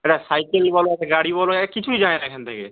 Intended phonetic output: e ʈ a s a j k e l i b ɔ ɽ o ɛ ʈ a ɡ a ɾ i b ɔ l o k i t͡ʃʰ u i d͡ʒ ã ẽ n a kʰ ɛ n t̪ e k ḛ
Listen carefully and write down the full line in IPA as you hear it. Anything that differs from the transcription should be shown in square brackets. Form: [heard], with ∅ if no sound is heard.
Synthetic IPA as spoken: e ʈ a s a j k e l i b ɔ [l] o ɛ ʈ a ɡ a [ɽ] i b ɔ l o k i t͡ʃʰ u i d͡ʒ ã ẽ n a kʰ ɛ n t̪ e k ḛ